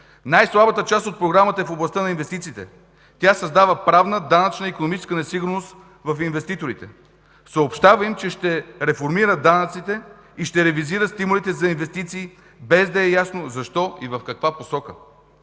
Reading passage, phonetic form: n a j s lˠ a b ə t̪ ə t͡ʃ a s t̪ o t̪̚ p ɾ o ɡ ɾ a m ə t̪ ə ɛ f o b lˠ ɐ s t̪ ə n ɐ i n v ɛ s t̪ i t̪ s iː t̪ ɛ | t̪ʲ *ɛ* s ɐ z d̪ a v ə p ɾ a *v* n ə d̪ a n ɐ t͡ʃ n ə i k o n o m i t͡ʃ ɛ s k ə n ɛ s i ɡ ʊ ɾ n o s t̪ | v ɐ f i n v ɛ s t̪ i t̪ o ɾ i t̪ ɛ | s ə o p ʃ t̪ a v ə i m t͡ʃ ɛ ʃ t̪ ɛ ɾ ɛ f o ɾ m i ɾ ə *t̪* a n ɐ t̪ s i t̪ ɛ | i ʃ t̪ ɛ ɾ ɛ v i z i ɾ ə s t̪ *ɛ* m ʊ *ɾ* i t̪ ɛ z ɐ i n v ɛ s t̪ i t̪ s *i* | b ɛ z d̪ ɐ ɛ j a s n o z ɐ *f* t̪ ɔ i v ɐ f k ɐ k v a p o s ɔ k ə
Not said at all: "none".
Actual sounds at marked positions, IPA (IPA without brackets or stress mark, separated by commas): a, v, d̪, i, l, iː, ʃ